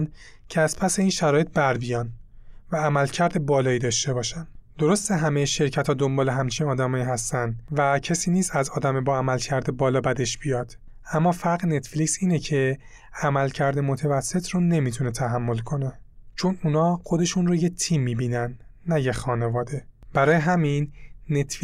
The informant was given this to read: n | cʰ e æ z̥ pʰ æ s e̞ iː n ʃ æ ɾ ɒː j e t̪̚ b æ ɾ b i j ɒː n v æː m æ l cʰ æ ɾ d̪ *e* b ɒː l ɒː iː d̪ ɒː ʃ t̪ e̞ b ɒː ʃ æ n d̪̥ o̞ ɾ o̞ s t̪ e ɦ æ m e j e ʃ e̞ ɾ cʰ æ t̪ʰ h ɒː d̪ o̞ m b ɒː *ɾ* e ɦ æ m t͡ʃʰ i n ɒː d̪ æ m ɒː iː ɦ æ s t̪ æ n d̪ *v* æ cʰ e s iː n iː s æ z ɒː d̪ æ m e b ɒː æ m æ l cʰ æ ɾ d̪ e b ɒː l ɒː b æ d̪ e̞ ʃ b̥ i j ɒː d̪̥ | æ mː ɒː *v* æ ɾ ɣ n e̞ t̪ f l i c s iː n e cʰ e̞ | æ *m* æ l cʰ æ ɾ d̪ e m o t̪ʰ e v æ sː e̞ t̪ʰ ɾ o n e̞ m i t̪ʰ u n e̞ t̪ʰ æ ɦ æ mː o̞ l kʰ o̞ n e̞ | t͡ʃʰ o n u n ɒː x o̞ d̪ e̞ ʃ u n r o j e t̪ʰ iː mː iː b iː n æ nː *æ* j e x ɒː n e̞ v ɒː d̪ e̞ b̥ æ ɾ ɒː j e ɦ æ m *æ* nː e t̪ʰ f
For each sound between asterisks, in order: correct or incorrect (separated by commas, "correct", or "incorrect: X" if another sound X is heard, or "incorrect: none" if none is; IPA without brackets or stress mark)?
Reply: correct, incorrect: l, correct, incorrect: f, correct, correct, incorrect: i